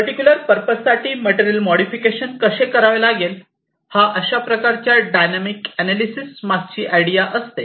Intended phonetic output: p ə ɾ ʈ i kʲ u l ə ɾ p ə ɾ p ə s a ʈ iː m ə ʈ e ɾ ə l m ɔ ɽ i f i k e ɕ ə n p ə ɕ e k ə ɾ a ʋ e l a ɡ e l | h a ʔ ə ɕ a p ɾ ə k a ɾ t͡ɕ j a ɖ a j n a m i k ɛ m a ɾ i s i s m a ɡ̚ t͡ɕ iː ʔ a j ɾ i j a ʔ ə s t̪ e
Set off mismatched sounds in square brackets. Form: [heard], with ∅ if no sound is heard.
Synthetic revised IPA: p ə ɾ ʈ i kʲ u l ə ɾ p ə ɾ p ə s a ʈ iː m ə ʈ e ɾ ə l m ɔ ɽ i f i k e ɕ ə n [k] ə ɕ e k ə ɾ a ʋ e l a ɡ e l | h a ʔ ə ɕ a p ɾ ə k a ɾ t͡ɕ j a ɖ a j n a m i k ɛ [n] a [l] i s i s m a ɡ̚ t͡ɕ iː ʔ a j [ɽ] i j a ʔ ə s t̪ e